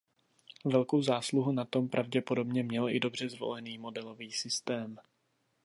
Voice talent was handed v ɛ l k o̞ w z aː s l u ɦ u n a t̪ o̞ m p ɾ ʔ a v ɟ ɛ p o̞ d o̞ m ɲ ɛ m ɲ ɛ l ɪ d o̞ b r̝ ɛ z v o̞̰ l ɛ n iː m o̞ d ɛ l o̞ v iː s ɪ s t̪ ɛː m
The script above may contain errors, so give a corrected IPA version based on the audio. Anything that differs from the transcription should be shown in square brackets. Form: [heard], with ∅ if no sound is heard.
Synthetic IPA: v ɛ l k o̞ w z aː s l u ɦ u n a t̪ o̞ m p ɾ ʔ a v ɟ ɛ p o̞ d o̞ [b] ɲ ɛ m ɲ ɛ l ɪ d o̞ b r̝ ɛ z v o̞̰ l ɛ n iː m o̞ d ɛ l o̞ v iː s ɪ s t̪ ɛː m